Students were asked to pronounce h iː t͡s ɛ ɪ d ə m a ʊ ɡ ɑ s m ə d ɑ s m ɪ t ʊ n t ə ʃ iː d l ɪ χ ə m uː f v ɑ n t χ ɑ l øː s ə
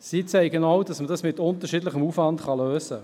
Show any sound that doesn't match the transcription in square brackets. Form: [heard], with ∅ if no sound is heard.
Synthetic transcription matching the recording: [s] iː t͡s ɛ ɪ [ɡ] ə [n] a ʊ [d] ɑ s m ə d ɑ s m ɪ t ʊ n t ə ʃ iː d l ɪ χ ə m uː f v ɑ n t χ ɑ l øː s ə